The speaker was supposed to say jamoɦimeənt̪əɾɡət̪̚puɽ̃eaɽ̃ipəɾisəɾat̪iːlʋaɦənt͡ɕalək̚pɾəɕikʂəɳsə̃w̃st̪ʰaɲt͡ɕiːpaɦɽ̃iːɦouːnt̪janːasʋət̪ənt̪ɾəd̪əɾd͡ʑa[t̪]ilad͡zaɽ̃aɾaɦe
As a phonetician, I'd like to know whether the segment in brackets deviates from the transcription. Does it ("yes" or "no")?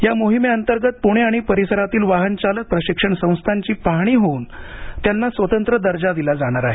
yes